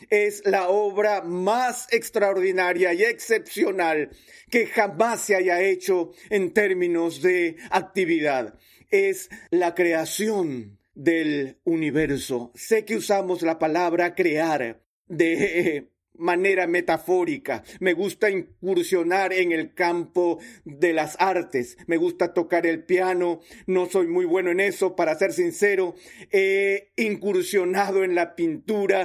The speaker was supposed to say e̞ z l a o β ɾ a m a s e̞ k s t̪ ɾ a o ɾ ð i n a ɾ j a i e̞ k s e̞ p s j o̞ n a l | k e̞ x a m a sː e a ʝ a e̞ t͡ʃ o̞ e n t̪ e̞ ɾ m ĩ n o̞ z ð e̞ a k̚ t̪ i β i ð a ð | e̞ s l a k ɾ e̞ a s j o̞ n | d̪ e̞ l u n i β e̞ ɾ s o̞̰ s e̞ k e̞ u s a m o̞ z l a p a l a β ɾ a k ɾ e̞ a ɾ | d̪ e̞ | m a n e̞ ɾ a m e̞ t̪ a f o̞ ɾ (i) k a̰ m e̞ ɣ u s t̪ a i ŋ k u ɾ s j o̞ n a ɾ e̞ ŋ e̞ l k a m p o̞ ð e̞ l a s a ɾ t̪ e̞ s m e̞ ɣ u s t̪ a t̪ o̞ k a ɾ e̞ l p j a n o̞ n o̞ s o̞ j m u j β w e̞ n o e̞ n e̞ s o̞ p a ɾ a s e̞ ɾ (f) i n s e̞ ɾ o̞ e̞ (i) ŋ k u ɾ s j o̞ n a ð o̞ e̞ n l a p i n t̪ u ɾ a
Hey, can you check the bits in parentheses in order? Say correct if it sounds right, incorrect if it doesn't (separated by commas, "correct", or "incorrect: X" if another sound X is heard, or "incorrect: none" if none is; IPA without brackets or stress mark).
correct, incorrect: s, correct